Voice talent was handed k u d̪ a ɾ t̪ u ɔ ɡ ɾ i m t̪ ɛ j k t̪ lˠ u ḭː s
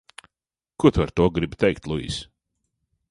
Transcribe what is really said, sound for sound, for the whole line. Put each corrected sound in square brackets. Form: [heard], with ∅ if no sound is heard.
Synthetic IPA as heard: k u [t̪] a ɾ t̪ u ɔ ɡ ɾ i [b] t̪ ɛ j k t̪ lˠ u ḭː s